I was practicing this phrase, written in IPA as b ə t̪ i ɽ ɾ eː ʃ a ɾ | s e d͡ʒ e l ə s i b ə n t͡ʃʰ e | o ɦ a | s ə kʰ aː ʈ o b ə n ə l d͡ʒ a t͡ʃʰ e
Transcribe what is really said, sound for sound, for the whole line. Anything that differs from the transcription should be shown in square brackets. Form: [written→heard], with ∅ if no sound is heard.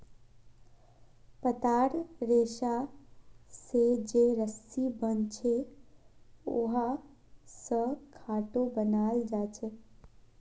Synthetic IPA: [b→p] ə t̪ [i→a] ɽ ɾ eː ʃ a [ɾ→∅] | s e d͡ʒ e [l→ɾ] ə s i b ə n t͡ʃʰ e | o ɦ a | s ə kʰ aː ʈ o b ə n [ə→a] l d͡ʒ a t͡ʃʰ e